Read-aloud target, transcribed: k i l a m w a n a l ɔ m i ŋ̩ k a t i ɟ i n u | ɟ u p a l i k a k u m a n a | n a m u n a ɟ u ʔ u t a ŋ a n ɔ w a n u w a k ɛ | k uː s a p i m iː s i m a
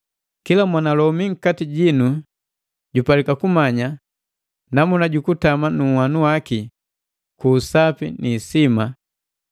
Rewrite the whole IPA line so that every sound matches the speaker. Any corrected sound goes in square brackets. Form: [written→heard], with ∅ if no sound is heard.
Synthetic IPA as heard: k i l a m w a n a l ɔ m i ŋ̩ k a t i ɟ i n u | ɟ u p a l i k a k u m a [n→ɲ] a | n a m u n a ɟ u [ʔ→k] u t a [ŋ→m] a n [ɔ→u] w a n u w a k [ɛ→i] | k uː s a p i [m→n] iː s i m a

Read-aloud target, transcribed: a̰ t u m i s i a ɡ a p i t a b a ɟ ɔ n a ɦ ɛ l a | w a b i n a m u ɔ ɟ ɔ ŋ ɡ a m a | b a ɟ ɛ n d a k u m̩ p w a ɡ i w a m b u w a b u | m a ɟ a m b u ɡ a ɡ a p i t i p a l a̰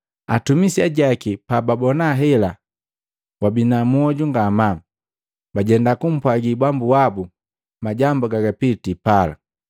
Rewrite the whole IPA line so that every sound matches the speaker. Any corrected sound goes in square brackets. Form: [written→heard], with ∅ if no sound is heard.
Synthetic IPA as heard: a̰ t u m i s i a [ɡ→ɟ] a [p→k] i [t→p] a b a [ɟ→b] ɔ n a ɦ ɛ l a | w a b i n a m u ɔ ɟ [ɔ→u] ŋ ɡ a m a | b a ɟ ɛ n d a k u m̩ p w a ɡ i [w→b] a m b u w a b u | m a ɟ a m b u ɡ a ɡ a p i t i p a l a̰

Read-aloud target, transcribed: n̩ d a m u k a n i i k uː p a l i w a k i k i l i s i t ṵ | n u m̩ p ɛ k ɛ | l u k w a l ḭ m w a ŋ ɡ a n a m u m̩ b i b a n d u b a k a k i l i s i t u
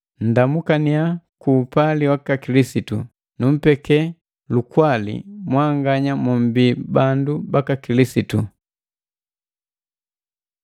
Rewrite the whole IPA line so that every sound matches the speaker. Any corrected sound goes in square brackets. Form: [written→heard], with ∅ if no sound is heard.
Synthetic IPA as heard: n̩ d a m u k a n i [i→a] k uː p a l i w a k [i→a] k i l i s i t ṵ | n u m̩ p ɛ k ɛ | l u k w a l ḭ m w a ŋ ɡ a [n→ɲ] a m u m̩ b i b a n d u b a k a k i l i s i t u

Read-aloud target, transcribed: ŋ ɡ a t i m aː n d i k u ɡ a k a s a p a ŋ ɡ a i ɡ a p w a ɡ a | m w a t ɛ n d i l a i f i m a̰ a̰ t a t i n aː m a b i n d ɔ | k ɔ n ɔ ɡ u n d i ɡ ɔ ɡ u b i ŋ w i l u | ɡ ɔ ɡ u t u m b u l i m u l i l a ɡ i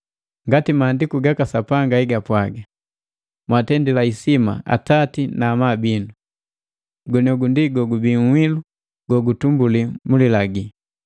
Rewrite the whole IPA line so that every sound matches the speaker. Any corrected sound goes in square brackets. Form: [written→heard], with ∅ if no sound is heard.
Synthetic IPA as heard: ŋ ɡ a t i m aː n d i k u ɡ a k a s a p a ŋ ɡ a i ɡ a p w a ɡ a | m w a t ɛ n d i l a i [f→s] i m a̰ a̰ t a t i n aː m a b i n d [ɔ→u] | [k→ɡ] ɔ n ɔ ɡ u n d i ɡ ɔ ɡ u b i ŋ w i l u | ɡ ɔ ɡ u t u m b u l i m u l i l a ɡ i

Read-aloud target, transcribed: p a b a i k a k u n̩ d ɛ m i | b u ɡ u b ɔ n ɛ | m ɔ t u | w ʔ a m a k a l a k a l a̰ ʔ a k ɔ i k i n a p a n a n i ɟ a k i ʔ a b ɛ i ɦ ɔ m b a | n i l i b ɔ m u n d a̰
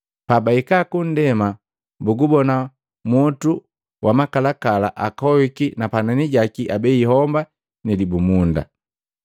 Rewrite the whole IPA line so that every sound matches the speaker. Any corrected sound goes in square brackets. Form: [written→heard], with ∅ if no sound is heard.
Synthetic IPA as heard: p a b a i k a k u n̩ d ɛ m [i→a] | b u ɡ u b ɔ n [ɛ→a] | m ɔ t u | w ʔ a m a k a l a k a l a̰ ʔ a k ɔ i k i n a p a n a n i ɟ a k i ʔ a b ɛ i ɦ ɔ m b a | n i l i b [ɔ→u] m u n d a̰

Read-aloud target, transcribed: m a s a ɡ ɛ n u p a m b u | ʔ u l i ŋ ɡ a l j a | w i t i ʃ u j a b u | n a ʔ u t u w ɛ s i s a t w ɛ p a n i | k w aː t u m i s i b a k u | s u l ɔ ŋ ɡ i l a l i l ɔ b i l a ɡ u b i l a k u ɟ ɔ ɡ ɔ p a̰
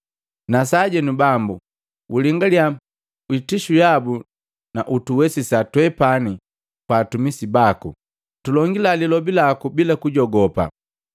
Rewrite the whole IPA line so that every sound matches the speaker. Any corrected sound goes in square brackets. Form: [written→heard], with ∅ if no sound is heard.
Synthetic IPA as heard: [m→n] a s a [ɡ→ɟ] ɛ n u [p→b] a m b u | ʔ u l i ŋ ɡ a l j a | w i t i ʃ u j a b u | n a ʔ u t u w ɛ s i s a t w ɛ p a n i | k w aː t u m i s i b a k u | [s→t] u l ɔ ŋ ɡ i l a l i l ɔ b i l a [ɡ→k] u b i l a k u ɟ ɔ ɡ ɔ p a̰

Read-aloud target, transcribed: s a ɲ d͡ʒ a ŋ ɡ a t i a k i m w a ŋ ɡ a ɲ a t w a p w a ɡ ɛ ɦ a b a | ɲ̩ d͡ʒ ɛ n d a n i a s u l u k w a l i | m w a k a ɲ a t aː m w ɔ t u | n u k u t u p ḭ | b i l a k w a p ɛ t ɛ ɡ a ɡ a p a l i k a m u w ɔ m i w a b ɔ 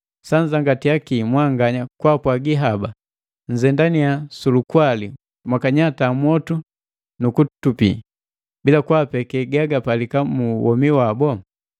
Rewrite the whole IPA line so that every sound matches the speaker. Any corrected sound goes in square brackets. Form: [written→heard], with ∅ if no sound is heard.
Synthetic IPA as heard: s a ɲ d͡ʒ a ŋ ɡ a t i a k i m w a ŋ ɡ a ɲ a [t→k] w a p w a ɡ [ɛ→i] ɦ a b a | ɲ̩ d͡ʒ ɛ n d a n i a s u l u k w a l i | m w a k a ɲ a t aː m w ɔ t u | n u k u t u p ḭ | b i l a k w a p ɛ [t→k] ɛ ɡ a ɡ a p a l i k a m u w ɔ m i w a b ɔ

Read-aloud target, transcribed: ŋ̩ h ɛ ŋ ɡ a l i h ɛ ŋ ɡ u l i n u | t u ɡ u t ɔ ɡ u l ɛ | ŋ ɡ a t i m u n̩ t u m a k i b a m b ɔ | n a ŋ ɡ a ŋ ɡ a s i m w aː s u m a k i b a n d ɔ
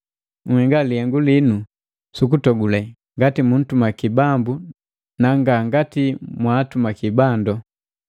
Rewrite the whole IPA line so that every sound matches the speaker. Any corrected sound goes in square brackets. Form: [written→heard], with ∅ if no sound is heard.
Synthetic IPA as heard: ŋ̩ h ɛ ŋ ɡ a l i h ɛ ŋ ɡ u l i n u | [t→s] u [ɡ→k] u t ɔ ɡ u l ɛ | ŋ ɡ a t i m u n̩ t u m a k i b a m b [ɔ→u] | n a ŋ ɡ a ŋ ɡ a [s→t] i m w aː [s→t] u m a k i b a n d ɔ

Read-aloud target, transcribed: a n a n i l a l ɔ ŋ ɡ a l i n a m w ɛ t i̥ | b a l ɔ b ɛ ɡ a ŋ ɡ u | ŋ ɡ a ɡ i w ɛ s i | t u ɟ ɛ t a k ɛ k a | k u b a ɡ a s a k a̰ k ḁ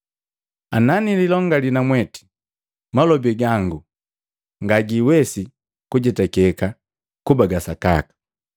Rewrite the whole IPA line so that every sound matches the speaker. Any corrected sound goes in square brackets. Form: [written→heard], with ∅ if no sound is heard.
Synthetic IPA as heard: a n a n i l [a→i] l ɔ ŋ ɡ a l i n a m w ɛ t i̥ | [b→m] a l ɔ b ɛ ɡ a ŋ ɡ u | ŋ ɡ a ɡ i w ɛ s i | [t→k] u ɟ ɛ t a k ɛ k a | k u b a ɡ a s a k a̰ k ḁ

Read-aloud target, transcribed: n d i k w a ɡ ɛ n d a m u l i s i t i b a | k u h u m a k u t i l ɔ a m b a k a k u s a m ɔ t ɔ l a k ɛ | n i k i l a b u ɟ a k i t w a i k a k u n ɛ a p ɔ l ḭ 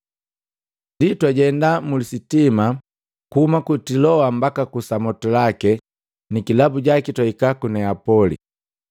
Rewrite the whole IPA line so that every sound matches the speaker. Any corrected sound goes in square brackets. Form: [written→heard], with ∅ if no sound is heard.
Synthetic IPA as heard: n d i [k→t] w a [ɡ→ɟ] ɛ n d a m u l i s i t i [b→m] a | k u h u m a k u t i l ɔ a m b a k a k u s a m ɔ t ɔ l a k ɛ | n i k i l a b u ɟ a k i t w a i k a k u n ɛ a p ɔ l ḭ

